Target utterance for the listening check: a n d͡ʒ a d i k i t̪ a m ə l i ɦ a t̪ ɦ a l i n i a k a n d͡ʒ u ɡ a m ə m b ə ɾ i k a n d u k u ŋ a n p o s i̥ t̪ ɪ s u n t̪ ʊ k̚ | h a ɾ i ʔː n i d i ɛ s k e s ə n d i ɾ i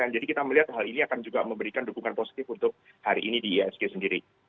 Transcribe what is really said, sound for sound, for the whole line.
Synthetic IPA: a n d͡ʒ a d i k i t̪ a m ə l i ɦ a t̪ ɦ a l i n i a k a n d͡ʒ u ɡ a m ə m b ə ɾ i k a n d u k u ŋ a n p o s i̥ t̪ ɪ f u n t̪ ʊ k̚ | h a ɾ i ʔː n i d i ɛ s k e s ə n d i ɾ i